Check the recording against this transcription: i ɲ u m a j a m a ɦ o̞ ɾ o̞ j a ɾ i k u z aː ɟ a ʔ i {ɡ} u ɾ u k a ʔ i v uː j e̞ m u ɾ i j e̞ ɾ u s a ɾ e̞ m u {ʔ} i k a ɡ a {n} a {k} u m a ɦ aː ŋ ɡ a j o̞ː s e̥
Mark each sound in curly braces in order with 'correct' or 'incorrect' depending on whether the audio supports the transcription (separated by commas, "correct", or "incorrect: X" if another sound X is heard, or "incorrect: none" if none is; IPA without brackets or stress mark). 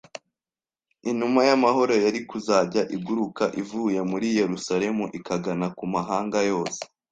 correct, correct, correct, correct